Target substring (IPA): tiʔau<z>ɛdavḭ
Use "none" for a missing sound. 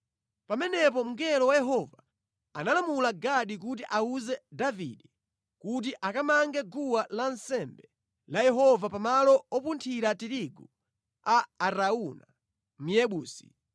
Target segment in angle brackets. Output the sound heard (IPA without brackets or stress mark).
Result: z